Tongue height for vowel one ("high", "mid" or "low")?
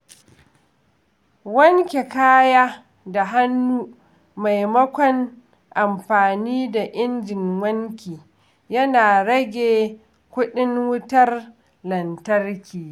low